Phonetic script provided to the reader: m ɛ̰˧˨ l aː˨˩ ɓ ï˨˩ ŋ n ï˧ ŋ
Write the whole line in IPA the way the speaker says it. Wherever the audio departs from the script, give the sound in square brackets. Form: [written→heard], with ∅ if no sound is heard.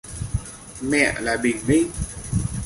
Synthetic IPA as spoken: m ɛ̰˧˨ l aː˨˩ ɓ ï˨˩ ŋ [n→m] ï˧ ŋ